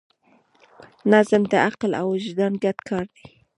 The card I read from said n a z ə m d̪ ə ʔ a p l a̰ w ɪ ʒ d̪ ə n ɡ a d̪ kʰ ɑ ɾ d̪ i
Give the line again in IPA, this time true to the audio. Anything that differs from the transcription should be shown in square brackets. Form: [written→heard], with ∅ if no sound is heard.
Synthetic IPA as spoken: n a z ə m d̪ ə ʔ a [p→q] l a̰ w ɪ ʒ d̪ [ə→ɑ] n ɡ a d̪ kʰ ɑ ɾ d̪ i